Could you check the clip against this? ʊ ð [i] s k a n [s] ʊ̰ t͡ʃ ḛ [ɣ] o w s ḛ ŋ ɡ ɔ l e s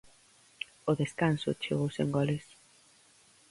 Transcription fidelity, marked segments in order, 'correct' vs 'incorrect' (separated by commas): incorrect, correct, correct